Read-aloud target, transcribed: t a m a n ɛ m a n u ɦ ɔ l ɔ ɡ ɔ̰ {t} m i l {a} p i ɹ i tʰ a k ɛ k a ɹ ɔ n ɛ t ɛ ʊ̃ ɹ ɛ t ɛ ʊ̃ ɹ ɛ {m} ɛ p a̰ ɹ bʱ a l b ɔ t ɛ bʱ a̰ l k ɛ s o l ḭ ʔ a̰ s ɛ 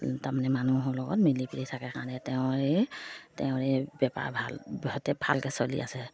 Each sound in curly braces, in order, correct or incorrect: correct, incorrect, incorrect

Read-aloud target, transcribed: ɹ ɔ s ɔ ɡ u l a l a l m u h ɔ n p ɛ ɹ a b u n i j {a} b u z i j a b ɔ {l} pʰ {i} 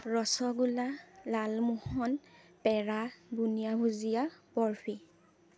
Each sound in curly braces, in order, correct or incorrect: correct, incorrect, correct

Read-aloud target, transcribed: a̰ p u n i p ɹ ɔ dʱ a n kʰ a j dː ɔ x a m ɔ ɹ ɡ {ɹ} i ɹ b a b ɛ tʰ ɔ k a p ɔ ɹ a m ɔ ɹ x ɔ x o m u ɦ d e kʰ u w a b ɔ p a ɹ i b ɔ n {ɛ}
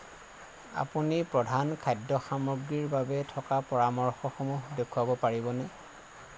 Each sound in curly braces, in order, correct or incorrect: correct, correct

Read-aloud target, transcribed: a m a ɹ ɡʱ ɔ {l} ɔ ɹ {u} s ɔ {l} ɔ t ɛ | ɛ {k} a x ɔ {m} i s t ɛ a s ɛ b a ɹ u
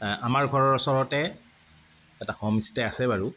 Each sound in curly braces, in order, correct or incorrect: incorrect, incorrect, incorrect, incorrect, correct

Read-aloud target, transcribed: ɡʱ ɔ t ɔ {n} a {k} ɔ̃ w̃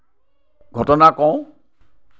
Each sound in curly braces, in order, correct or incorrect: correct, correct

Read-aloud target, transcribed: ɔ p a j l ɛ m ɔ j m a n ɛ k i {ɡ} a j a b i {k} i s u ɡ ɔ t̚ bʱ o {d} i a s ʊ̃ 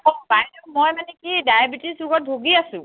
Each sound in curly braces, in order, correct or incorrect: incorrect, incorrect, incorrect

